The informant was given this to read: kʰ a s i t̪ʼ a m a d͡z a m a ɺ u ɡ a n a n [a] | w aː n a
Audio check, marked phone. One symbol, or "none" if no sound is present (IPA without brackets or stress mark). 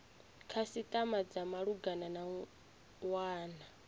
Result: a